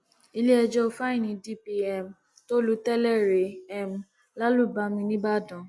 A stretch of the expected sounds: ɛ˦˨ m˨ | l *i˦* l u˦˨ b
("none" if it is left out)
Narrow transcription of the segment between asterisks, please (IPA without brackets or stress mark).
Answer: a˦